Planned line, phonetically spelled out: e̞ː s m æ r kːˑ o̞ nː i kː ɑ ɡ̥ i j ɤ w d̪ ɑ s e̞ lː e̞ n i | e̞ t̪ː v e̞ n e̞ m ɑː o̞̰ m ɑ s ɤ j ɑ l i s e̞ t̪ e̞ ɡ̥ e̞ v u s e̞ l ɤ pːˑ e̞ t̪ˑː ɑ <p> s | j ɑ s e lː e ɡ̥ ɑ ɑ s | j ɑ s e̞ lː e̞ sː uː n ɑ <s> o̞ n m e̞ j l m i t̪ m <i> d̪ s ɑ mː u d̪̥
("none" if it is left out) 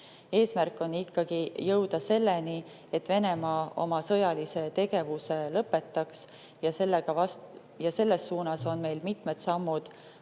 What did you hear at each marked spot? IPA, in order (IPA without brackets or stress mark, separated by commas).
k, s, e